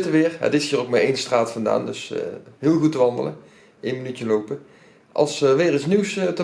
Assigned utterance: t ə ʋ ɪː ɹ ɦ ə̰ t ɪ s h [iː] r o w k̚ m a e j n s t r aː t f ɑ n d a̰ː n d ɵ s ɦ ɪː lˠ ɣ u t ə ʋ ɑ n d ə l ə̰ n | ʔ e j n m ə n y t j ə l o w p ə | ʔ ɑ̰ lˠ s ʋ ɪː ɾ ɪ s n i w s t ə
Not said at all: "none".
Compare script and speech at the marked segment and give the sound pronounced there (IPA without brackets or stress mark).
iː